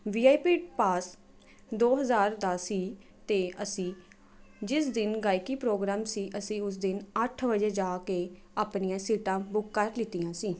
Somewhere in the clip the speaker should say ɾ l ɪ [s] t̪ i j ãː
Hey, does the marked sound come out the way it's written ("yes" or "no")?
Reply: no